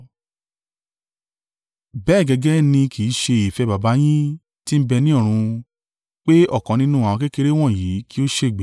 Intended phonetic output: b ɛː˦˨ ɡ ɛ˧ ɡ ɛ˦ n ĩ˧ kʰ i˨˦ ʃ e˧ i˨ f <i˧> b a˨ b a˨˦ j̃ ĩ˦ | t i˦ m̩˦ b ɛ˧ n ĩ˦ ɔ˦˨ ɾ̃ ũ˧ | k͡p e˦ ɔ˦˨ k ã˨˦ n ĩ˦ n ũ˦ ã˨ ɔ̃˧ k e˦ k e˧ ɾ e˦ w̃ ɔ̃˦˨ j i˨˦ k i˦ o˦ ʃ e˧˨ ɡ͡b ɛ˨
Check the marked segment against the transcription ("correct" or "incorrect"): incorrect